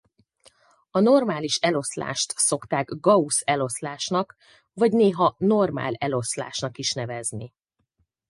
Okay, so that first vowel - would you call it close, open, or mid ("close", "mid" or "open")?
open